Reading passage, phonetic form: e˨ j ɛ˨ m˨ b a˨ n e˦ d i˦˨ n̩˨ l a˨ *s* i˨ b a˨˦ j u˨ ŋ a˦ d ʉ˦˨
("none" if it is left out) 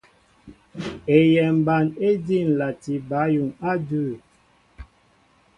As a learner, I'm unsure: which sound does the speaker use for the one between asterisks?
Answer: t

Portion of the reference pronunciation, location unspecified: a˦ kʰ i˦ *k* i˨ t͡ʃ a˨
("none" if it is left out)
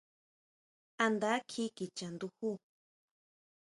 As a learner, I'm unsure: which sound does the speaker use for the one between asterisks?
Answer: k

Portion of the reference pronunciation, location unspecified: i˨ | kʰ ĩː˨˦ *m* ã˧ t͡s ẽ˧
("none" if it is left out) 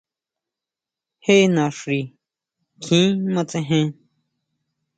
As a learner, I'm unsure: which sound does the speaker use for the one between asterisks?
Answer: m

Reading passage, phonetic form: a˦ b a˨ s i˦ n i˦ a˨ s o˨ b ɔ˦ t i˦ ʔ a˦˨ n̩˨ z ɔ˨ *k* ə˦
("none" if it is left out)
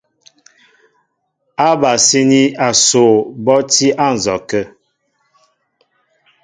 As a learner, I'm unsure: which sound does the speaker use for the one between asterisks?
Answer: k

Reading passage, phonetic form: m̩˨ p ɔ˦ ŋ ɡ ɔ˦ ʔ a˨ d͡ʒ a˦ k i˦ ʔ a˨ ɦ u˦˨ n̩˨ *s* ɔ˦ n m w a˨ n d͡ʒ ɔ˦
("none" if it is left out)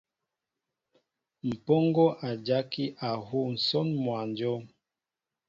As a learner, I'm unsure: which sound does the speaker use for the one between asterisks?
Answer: s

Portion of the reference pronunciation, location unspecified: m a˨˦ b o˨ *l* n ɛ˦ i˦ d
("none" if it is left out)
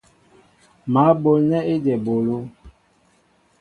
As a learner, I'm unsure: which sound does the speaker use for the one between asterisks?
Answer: l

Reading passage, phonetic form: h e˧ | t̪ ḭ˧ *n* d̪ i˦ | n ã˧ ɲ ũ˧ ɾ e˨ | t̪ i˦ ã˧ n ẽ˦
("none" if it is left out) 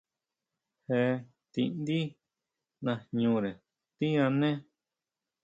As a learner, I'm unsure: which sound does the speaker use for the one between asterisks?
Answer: n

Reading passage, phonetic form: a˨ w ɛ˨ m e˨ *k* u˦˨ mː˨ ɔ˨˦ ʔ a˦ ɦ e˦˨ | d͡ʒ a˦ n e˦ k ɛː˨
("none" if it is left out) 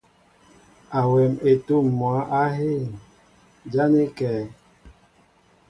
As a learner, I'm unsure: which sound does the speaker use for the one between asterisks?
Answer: t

